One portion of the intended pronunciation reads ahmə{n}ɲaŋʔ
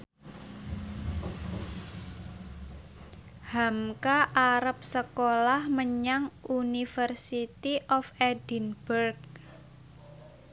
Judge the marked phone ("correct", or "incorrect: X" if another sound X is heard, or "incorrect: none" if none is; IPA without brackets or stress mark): incorrect: none